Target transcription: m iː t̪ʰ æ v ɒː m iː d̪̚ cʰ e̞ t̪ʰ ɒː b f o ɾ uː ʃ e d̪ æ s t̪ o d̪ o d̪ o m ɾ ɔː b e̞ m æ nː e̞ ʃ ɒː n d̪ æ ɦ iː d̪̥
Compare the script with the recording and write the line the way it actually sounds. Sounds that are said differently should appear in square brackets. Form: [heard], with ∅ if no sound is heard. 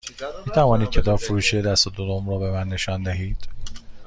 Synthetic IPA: m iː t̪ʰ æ v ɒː [n] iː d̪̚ cʰ e̞ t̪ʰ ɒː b f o ɾ uː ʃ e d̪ æ s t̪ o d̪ o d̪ o m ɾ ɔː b e̞ m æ nː e̞ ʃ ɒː n d̪ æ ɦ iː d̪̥